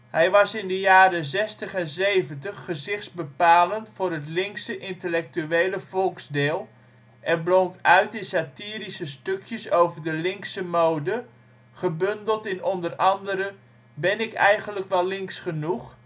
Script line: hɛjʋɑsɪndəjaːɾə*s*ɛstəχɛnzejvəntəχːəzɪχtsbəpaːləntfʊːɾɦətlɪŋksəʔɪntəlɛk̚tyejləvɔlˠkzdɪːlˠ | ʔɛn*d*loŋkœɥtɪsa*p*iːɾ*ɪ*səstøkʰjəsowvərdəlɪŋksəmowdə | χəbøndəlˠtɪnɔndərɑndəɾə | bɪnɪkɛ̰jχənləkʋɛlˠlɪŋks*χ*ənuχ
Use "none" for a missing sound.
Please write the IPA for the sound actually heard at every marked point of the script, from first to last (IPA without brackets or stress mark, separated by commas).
z, b, t, i, χ